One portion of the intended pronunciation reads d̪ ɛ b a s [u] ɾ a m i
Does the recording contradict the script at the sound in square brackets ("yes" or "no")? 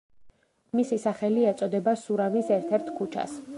no